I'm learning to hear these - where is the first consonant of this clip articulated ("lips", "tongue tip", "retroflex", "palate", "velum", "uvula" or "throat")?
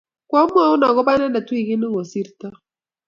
velum